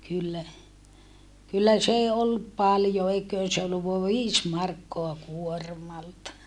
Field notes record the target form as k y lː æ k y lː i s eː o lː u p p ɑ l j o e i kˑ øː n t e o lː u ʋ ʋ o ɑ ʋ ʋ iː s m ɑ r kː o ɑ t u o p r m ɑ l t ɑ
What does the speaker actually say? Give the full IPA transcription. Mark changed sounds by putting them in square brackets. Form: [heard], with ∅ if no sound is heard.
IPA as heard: k y lː æ k y lː [æ] s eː o lː u p p ɑ l j o e i kˑ øː n [s] e o lː u ʋ ʋ o ɑ ʋ ʋ iː s m ɑ r kː o ɑ [k] u o [∅] r m ɑ l t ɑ